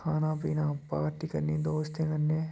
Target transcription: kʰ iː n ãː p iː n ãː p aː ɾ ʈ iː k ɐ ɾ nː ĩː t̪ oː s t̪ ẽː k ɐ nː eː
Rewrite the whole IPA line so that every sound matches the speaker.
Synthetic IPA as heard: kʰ aː n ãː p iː n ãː p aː ɾ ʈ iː k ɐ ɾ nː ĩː d̪ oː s t̪ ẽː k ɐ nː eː